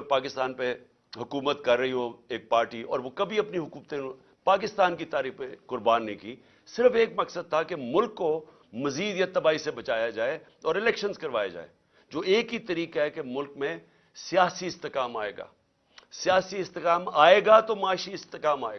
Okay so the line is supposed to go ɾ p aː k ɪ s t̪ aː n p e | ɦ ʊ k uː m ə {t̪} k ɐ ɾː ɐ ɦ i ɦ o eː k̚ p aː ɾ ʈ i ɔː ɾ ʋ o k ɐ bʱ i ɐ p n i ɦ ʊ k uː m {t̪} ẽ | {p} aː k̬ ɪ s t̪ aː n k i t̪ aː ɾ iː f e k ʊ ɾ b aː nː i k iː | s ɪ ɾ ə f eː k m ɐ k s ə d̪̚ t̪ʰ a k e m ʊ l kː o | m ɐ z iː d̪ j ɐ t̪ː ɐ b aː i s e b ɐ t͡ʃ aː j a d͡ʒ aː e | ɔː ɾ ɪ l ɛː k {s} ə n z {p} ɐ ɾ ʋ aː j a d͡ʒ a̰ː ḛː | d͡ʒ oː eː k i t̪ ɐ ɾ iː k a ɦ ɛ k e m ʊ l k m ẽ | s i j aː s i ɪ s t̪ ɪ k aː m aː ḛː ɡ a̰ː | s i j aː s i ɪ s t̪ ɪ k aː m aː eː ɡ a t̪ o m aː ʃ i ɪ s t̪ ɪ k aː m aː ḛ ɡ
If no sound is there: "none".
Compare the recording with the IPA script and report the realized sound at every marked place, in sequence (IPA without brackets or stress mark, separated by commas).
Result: t̪, t̪, p, ʃ, k